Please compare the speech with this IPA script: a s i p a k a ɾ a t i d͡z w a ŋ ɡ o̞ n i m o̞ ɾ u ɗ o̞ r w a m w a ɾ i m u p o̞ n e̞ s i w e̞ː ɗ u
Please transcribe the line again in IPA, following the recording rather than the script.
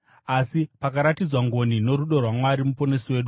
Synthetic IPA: a s i p a k a ɾ a t i d͡z w a ŋ ɡ o̞ n i n o̞ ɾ u ɗ o̞ r w a m w a ɾ i m u p o̞ n e̞ s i w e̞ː ɗ u